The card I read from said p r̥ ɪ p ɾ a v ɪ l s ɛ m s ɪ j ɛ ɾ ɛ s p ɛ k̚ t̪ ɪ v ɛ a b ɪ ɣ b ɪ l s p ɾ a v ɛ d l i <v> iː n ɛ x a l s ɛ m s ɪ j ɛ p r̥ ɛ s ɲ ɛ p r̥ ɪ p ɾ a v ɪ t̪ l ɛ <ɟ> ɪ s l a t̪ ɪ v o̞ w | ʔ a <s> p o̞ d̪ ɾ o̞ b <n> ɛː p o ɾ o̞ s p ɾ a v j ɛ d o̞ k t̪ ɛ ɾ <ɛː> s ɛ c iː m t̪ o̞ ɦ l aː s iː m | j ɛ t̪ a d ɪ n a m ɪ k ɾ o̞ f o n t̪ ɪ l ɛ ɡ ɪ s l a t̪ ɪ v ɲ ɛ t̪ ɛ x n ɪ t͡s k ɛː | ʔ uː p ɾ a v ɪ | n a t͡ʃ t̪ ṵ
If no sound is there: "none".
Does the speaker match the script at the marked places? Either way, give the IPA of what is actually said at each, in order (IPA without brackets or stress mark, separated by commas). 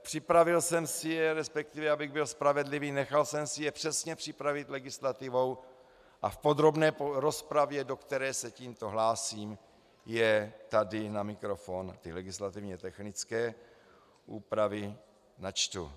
v, ɡ, f, n, ɛː